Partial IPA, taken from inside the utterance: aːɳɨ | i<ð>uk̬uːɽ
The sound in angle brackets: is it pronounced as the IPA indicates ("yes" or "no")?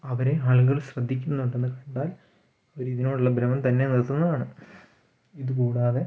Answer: yes